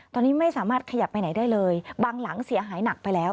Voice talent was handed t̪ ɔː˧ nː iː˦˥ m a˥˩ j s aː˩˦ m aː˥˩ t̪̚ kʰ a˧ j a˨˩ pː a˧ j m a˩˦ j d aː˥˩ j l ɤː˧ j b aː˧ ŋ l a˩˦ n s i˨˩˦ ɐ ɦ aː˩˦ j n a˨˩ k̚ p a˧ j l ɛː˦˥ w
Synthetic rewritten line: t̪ ɔː˧ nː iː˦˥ m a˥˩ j s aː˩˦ m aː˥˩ t̪̚ kʰ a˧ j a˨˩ pː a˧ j n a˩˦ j d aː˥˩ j l ɤː˧ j b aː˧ ŋ l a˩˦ ŋ s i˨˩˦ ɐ ɦ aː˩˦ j n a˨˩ k̚ p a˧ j l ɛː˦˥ w

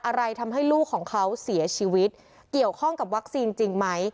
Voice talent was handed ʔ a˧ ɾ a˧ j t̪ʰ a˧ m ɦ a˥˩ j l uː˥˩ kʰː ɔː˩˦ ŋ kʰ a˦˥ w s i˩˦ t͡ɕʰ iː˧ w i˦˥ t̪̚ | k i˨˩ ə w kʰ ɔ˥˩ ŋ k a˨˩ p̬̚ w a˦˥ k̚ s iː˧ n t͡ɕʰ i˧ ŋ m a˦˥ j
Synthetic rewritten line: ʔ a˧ ɾ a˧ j t̪ʰ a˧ m ɦ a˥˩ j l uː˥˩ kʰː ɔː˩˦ ŋ kʰ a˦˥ w s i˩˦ t͡ɕʰ iː˧ w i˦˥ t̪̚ | k i˨˩ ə w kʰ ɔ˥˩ ŋ k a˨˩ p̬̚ w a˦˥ k̚ s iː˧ n t͡ɕ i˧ ŋ m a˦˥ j

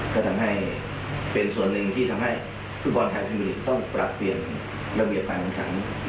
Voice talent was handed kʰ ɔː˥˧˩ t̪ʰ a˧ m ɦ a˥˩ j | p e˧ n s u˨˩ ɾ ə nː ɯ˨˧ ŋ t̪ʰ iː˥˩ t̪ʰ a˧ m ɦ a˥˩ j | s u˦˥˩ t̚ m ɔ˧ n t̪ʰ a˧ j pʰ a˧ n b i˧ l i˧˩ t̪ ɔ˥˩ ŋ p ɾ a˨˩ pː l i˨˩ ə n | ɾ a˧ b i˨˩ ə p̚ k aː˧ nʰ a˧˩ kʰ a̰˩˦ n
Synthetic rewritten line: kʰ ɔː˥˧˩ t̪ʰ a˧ m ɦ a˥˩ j | p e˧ n s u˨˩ ə nː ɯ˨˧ ŋ t̪ʰ iː˥˩ t̪ʰ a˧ m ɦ a˥˩ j | f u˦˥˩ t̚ b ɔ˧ n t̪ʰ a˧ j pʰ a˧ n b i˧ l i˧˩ t̪ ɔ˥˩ ŋ p ɾ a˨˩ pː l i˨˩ ə n | ɾ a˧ b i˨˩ ə p̚ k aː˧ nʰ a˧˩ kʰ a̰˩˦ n

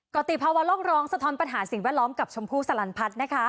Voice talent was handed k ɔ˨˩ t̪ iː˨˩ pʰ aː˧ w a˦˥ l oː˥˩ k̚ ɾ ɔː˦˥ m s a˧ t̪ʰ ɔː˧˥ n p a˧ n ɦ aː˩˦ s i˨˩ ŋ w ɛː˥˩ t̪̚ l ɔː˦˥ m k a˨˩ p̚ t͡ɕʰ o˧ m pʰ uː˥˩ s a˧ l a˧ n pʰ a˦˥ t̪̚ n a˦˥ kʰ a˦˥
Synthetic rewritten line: k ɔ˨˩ t̪ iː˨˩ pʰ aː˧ w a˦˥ l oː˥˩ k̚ ɾ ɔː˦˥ ŋ s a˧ t̪ʰ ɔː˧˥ n p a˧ n ɦ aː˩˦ s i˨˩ ŋ w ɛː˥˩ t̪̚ l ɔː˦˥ m k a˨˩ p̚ t͡ɕʰ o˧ m pʰ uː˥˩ s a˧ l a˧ n pʰ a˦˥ t̪̚ n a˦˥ kʰ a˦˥

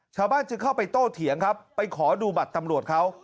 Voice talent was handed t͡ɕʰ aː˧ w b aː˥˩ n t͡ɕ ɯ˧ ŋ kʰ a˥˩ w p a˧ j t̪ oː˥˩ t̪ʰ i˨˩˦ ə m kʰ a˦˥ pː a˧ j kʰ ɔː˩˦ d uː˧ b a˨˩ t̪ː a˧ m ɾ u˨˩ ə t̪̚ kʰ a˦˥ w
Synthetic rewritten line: t͡ɕʰ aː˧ w b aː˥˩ n t͡ɕ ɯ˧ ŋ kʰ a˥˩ w p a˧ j t̪ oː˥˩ t̪ʰ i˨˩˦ ə ŋ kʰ a˦˥ pː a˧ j kʰ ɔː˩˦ d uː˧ b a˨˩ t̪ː a˧ m ɾ u˨˩ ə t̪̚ kʰ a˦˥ w

